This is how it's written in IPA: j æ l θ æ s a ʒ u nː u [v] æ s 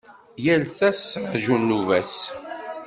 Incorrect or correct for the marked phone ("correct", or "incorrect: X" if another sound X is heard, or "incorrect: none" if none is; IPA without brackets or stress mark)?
correct